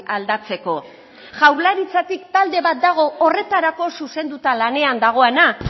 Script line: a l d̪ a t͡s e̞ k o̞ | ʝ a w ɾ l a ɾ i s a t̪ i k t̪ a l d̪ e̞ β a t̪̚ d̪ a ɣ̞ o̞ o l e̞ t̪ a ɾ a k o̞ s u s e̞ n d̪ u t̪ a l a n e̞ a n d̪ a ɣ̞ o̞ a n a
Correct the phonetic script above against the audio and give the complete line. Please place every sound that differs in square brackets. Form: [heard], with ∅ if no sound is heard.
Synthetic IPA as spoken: a l d̪ a t͡s e̞ k o̞ | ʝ a w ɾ l a ɾ i [t͡s] a t̪ i k t̪ a l d̪ e̞ β a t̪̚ d̪ a ɣ̞ o̞ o [r] e̞ t̪ a ɾ a k o̞ s u s e̞ n d̪ u t̪ a l a n e̞ a n d̪ a ɣ̞ o̞ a n a

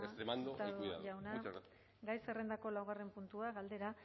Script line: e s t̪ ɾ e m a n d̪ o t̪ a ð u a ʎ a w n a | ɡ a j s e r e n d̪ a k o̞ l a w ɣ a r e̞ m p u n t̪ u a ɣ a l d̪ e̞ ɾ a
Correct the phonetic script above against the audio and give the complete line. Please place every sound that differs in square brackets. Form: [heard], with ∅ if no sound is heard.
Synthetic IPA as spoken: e s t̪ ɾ e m a n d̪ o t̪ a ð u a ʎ a w n a | ɡ a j s e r e n d̪ a k o̞ l a w ɣ a r e̞ m p u n t̪ u a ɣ a l d̪ e̞ ɾ a

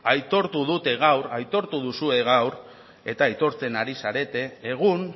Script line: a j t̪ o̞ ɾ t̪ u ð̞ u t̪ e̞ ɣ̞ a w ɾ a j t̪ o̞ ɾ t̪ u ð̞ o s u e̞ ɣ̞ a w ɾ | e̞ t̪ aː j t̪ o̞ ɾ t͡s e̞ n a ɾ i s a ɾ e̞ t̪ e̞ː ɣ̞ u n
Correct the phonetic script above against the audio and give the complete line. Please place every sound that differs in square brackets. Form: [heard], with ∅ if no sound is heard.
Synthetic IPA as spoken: a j t̪ o̞ ɾ t̪ u ð̞ u t̪ e̞ ɣ̞ a w ɾ a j t̪ o̞ ɾ t̪ u ð̞ [u] s u e̞ ɣ̞ a w ɾ | e̞ t̪ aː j t̪ o̞ ɾ t͡s e̞ n a ɾ i s a ɾ e̞ t̪ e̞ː ɣ̞ u n

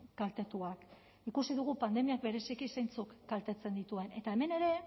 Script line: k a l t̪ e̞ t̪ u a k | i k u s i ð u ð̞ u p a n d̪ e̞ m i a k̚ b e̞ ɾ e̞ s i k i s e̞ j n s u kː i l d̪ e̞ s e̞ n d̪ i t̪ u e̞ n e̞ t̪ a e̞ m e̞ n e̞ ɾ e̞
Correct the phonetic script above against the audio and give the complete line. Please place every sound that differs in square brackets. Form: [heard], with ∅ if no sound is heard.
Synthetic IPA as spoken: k a l t̪ e̞ t̪ u a k | i k u s i ð u [ɣ̞] u p a n d̪ e̞ m i a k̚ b e̞ ɾ e̞ s i k i s e̞ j n [t͡s] u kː [a] l [t̪] e̞ [t͡s] e̞ n d̪ i t̪ u e̞ n e̞ t̪ a e̞ m e̞ n e̞ ɾ e̞

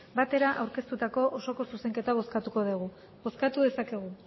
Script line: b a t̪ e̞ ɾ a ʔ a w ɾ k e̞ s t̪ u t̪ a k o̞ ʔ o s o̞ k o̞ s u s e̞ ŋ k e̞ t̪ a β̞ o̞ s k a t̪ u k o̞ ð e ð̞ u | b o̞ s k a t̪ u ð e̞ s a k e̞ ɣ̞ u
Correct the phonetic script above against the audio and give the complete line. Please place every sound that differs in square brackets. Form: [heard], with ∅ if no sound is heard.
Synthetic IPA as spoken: b a t̪ e̞ ɾ a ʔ a w ɾ k e̞ s t̪ u t̪ a k o̞ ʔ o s o̞ k o̞ s u s e̞ ŋ k e̞ t̪ a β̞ o̞ s k a t̪ u k o̞ ð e [ɣ̞] u | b o̞ s k a t̪ u ð e̞ s a k e̞ ɣ̞ u

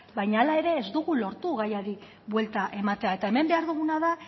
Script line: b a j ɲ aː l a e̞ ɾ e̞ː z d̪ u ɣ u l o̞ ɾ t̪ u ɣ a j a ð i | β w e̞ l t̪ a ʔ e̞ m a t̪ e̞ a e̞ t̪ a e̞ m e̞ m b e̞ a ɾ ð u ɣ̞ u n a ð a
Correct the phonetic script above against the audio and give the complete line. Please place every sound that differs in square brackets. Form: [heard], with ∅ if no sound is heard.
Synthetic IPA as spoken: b a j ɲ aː l a e̞ ɾ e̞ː z d̪ u ɣ u l o̞ ɾ t̪ u ɣ a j a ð i | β w e̞ l t̪ a ʔ e̞ m a t̪ e̞ a e̞ t̪ a e̞ m e̞ m b e̞ a ɾ ð u ɣ̞ u n a ð a

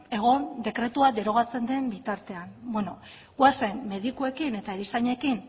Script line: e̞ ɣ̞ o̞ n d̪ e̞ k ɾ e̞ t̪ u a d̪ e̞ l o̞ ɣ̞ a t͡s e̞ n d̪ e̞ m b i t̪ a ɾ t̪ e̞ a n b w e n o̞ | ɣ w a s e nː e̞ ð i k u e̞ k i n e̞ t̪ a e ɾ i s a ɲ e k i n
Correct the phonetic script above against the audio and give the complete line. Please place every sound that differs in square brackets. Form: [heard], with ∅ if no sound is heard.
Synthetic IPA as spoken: e̞ ɣ̞ o̞ n d̪ e̞ k ɾ e̞ t̪ u a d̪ e̞ [ɾ] o̞ ɣ̞ a t͡s e̞ n d̪ e̞ m b i t̪ a ɾ t̪ e̞ a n b w e n o̞ | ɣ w a s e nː e̞ ð i k u e̞ k i n e̞ t̪ a e ɾ i s a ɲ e k i n

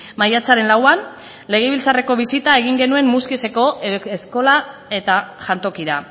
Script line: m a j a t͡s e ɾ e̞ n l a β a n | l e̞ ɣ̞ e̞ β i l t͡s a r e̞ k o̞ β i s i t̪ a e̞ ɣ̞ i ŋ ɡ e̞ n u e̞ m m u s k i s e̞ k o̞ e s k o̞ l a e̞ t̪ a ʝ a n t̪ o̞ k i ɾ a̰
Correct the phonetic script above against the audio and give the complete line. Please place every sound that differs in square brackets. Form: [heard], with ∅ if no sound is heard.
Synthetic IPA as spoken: m a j a t͡s [a] ɾ e̞ n l a [w] a n | l e̞ ɣ̞ e̞ β i l t͡s a r e̞ k o̞ β i s i t̪ a e̞ ɣ̞ i ŋ ɡ e̞ n u e̞ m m u s k i s e̞ k o̞ e s k o̞ l a e̞ t̪ a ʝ a n t̪ o̞ k i ɾ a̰

